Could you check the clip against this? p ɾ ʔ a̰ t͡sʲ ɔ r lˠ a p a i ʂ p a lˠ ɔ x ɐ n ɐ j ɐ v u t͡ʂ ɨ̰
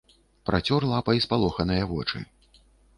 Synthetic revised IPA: p ɾ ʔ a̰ t͡sʲ ɔ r lˠ a p ɐ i s p a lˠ ɔ x ɐ n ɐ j ɐ v ɔ t͡ʂ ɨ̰